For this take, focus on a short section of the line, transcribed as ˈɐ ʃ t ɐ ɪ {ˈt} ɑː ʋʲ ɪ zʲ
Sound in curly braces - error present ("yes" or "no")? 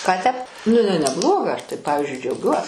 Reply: yes